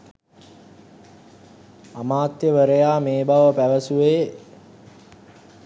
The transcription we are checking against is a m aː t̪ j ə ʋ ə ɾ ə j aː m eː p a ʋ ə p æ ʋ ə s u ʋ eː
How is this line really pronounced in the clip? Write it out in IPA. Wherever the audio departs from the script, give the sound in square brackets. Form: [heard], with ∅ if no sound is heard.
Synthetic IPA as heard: a m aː t̪ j ə ʋ ə ɾ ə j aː m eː [b] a ʋ ə p æ ʋ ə s u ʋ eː

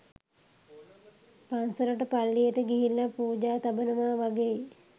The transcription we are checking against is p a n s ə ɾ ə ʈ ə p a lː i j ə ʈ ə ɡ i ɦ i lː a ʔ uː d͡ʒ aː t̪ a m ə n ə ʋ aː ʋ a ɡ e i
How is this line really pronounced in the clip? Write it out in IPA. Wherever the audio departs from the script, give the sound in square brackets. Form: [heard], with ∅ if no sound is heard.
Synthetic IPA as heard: p a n s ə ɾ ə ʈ ə p a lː i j ə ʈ ə ɡ i ɦ i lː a [p] uː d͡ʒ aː t̪ a [b] ə n ə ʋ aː ʋ a ɡ e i

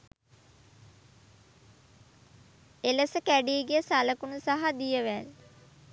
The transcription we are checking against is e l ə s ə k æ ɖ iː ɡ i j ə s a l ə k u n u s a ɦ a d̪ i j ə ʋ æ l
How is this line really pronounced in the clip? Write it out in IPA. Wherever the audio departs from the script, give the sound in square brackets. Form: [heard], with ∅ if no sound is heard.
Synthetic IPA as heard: e l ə s ə k æ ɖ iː ɡ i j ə s a l ə k u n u s a ɦ a d̪ i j ə ʋ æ l

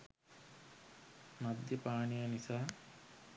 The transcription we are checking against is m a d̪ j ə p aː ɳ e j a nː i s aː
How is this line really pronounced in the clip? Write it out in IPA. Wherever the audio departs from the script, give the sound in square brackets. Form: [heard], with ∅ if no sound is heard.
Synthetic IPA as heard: m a d̪ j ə p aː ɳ [i] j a [n] i s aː

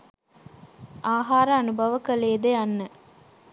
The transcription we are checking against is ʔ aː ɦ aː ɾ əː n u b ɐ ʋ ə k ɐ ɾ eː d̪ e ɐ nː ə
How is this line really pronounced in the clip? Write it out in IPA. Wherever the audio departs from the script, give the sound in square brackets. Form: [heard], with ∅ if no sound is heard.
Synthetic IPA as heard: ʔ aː ɦ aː ɾ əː n u b ɐ ʋ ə k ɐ [l] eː d̪ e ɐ nː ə

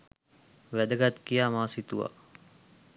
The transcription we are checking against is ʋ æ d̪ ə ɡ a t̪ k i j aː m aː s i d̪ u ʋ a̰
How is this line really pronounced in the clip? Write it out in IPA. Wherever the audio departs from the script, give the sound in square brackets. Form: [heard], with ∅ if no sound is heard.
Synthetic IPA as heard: ʋ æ d̪ ə ɡ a t̪ k i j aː m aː s i [t̪] u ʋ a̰

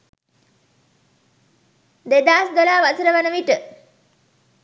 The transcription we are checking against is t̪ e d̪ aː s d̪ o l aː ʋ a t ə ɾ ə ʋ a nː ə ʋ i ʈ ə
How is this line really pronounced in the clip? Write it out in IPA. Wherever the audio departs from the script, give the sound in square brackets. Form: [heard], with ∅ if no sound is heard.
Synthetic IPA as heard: [d̪] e d̪ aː s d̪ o l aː ʋ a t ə ɾ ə ʋ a [n] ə ʋ i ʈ ə

